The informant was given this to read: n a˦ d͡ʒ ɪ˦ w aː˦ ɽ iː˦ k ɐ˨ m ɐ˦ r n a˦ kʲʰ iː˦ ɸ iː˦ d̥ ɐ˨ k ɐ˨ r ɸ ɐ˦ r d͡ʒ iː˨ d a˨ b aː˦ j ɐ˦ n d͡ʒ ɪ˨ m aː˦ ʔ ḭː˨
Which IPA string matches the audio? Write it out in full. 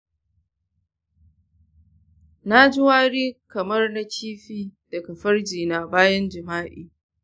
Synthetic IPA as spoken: n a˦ d͡ʒ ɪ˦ w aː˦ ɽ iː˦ k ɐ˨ m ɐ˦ r n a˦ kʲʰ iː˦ ɸ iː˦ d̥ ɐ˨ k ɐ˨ ɸ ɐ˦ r d͡ʒ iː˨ n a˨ b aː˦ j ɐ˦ n d͡ʒ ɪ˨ m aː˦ ʔ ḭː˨